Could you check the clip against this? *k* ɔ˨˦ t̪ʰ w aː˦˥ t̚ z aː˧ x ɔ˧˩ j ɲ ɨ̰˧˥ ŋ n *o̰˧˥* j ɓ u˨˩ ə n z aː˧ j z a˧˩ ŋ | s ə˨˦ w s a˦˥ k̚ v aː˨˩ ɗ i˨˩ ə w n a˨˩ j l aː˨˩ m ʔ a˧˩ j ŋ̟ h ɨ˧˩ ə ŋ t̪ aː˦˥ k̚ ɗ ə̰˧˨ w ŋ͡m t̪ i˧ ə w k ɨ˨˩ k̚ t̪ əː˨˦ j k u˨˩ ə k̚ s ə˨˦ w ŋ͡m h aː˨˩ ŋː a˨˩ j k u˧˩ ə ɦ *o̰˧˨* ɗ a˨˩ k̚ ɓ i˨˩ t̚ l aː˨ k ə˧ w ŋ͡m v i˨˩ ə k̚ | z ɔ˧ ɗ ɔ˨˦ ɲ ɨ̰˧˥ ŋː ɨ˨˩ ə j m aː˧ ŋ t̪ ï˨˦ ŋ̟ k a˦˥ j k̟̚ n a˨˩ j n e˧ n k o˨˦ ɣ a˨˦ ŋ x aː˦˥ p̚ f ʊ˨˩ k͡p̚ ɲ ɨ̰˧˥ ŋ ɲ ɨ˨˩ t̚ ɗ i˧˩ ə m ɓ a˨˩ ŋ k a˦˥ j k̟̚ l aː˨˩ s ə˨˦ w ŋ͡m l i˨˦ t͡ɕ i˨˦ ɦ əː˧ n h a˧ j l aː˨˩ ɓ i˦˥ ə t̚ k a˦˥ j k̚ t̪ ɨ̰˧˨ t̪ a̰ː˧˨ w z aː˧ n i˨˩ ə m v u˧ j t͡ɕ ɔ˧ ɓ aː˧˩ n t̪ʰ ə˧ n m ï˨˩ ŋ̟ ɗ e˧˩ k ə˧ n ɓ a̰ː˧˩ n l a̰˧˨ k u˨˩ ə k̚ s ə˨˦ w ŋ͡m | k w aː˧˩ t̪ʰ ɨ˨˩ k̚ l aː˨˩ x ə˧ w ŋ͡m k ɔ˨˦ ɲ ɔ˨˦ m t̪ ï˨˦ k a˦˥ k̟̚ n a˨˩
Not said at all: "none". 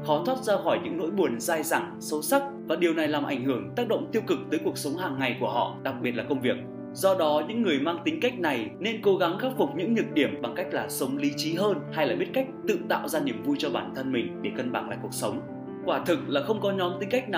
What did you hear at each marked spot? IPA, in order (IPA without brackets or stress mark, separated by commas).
x, o̰˧˥, ɔ̰˧˨